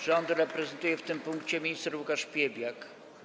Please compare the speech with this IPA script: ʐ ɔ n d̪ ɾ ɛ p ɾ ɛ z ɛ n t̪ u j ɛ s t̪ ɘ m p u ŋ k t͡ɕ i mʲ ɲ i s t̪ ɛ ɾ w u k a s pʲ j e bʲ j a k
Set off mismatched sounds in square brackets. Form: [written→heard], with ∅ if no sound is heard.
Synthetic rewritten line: ʐ ɔ n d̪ ɾ ɛ p ɾ ɛ z ɛ n t̪ u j ɛ [s→f] t̪ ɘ m p u ŋ k t͡ɕ [i→ɛ] mʲ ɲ i s t̪ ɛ ɾ w u k a [s→ʂ] pʲ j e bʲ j a k